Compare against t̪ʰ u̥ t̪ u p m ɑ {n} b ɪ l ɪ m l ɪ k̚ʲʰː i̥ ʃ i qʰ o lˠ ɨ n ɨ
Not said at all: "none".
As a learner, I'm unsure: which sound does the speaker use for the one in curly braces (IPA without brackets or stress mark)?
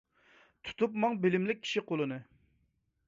ŋ